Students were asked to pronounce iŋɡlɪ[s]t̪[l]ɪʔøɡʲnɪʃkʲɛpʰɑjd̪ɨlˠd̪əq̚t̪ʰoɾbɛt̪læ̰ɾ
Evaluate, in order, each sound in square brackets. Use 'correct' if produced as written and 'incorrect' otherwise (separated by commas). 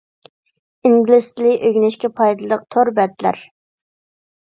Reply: correct, correct